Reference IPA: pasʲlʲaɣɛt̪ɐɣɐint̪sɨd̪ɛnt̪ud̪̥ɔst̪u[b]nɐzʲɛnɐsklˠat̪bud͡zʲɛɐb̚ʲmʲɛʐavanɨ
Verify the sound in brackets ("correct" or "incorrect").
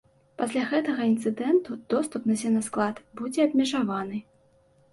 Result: incorrect